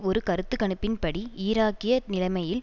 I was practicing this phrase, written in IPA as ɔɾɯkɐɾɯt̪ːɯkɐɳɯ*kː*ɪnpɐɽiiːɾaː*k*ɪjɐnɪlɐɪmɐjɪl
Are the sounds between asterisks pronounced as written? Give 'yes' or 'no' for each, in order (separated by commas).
no, yes